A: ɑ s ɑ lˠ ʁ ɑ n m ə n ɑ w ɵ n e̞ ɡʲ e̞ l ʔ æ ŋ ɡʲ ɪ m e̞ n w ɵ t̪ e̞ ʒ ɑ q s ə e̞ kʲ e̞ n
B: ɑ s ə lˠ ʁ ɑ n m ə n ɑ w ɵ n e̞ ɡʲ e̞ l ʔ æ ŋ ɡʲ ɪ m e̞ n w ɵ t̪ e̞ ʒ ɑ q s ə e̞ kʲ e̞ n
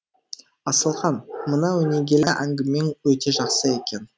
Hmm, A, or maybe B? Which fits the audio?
B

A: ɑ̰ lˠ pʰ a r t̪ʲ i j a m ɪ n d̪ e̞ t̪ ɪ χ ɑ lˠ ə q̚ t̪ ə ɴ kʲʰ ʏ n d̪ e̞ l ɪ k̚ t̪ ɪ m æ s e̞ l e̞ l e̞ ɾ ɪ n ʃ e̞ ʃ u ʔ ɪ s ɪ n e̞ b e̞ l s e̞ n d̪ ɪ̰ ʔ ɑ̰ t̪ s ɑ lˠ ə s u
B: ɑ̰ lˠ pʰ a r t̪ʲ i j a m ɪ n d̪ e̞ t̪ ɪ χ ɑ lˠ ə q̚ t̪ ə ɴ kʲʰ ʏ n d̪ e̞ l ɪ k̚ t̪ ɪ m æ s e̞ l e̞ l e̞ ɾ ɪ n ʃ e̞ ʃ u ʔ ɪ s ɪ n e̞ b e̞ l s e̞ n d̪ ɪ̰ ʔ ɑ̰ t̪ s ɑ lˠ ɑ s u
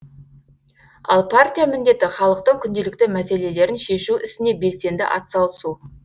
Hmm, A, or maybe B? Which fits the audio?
A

